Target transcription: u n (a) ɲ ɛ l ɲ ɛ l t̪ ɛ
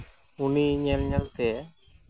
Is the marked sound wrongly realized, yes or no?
yes